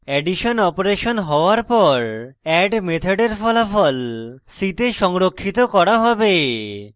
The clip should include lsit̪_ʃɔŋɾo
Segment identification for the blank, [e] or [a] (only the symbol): e